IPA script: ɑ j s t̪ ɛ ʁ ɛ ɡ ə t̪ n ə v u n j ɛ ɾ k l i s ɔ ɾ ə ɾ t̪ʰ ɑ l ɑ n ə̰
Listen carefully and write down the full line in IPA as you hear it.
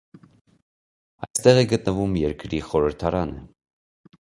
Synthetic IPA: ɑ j s t̪ ɛ ʁ ɛ ɡ ə t̪ n ə v u m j ɛ ɾ k ɾ i χ ɔ ɾ ə ɾ t̪ʰ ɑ ɾ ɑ n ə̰